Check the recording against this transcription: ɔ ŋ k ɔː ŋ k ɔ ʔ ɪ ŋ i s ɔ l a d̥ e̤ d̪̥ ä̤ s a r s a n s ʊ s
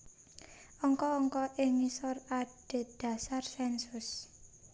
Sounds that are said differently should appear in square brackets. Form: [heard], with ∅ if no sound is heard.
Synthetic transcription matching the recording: ɔ ŋ k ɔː ŋ k ɔ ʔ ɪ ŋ i s ɔ [r] a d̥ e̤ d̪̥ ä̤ s a r s [ɛ] n s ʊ s